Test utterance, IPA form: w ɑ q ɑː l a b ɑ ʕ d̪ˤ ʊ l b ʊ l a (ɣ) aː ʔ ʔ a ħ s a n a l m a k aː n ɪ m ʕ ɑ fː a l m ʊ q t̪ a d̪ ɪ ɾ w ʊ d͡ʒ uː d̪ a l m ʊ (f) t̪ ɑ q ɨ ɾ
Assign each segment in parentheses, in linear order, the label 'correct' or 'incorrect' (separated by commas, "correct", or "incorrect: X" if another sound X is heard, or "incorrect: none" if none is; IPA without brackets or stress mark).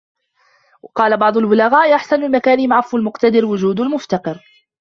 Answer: correct, correct